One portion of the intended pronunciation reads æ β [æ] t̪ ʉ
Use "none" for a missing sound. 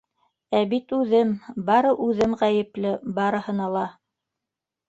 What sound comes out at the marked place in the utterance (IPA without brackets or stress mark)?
i